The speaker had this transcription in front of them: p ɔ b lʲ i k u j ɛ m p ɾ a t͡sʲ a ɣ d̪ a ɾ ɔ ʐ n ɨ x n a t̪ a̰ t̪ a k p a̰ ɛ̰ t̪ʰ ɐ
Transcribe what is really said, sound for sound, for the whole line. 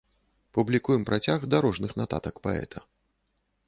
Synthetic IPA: p u b lʲ i k u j ɛ m p ɾ a t͡sʲ a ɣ d̪ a ɾ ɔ ʐ n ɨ x n a t̪ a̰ t̪ ɐ k p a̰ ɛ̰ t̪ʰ ɐ